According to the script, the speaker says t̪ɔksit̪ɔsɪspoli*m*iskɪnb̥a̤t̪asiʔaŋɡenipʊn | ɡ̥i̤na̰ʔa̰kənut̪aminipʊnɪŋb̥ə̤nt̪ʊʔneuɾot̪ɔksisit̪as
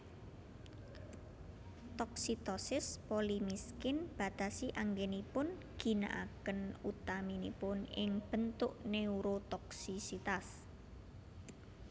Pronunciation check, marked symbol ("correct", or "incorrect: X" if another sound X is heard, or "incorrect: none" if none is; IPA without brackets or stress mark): correct